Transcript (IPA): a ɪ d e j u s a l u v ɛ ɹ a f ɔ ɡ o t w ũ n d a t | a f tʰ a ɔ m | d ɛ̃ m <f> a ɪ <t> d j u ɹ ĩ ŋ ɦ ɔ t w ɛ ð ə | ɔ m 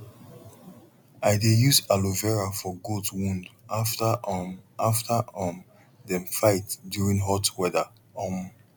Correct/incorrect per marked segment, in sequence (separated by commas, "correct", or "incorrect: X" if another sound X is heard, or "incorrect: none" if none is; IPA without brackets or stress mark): correct, correct